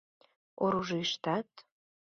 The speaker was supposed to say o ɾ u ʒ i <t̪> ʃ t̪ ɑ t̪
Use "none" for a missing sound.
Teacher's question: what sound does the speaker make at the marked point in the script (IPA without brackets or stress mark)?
none